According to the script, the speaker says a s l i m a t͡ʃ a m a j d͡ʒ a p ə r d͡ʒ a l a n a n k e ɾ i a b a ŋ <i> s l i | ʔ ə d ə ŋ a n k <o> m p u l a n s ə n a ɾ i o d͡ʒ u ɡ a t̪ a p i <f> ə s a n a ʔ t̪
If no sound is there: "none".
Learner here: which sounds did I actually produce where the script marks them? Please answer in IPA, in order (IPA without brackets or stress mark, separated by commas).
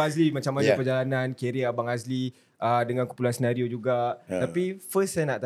a, u, f